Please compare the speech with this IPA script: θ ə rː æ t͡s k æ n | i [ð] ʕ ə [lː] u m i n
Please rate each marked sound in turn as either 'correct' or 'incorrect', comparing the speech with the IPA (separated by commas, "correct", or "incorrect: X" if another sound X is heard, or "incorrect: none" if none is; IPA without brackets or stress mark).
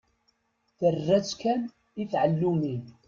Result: incorrect: θ, correct